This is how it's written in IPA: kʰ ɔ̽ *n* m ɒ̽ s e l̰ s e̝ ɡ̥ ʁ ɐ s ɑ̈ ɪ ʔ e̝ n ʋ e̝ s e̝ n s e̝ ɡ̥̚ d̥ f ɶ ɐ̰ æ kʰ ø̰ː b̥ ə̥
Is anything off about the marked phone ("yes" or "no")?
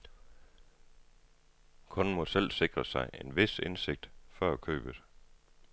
no